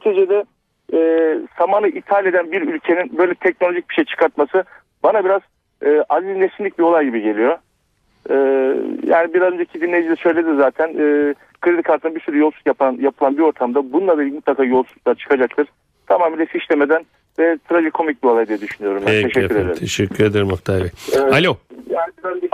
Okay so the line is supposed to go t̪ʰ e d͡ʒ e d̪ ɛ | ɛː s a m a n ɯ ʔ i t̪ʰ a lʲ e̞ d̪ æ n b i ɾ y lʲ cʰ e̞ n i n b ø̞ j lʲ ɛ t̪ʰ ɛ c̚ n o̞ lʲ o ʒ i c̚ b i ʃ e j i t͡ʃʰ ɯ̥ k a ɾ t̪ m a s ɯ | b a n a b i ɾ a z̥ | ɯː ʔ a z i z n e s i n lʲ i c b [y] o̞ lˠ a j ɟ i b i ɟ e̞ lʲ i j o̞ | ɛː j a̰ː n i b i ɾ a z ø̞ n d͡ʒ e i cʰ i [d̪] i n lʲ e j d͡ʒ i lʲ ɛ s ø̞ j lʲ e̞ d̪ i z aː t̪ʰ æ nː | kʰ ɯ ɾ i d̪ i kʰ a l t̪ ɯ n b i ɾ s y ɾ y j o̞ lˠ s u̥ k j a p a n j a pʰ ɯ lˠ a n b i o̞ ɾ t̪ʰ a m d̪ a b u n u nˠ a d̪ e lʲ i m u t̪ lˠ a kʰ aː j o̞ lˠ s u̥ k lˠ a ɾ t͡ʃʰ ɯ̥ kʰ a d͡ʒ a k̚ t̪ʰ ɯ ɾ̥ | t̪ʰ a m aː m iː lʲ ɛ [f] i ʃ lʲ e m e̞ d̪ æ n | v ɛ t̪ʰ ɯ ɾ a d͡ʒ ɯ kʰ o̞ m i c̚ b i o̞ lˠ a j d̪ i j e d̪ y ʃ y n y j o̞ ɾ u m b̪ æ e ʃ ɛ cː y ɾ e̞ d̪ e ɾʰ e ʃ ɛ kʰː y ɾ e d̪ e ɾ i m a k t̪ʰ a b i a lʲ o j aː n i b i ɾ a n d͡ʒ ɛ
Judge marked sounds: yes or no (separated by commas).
no, yes, yes